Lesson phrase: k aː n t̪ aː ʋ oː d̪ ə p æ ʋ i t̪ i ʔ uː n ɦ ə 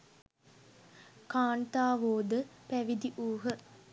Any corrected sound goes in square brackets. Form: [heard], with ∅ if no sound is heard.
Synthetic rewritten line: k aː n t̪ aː ʋ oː d̪ ə p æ ʋ i [d̪] i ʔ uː [∅] ɦ ə